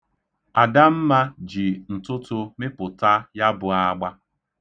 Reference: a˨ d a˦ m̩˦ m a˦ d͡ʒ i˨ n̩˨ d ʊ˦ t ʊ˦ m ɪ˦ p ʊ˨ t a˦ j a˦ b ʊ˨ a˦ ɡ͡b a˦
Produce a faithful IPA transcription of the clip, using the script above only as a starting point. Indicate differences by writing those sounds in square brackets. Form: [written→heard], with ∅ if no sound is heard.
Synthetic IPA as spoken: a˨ d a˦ m̩˦ m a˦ d͡ʒ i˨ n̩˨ [d→t] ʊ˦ t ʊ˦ m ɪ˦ p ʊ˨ t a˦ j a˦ b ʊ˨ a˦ ɡ͡b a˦